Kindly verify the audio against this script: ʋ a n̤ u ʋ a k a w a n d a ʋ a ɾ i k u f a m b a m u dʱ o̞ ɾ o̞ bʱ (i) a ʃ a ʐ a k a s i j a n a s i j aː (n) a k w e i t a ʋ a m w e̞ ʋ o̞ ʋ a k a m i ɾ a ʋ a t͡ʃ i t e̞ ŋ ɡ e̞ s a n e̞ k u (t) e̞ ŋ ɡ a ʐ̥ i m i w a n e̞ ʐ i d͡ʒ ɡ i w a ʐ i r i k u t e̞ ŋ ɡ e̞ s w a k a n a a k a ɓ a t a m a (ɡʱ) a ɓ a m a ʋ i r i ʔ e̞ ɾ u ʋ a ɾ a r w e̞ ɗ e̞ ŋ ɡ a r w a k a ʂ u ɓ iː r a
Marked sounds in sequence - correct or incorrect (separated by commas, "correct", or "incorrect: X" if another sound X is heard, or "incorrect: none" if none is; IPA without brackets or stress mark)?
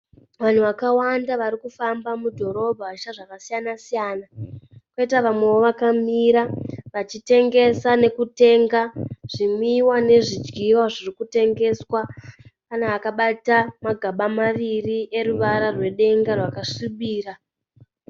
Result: incorrect: a, correct, correct, correct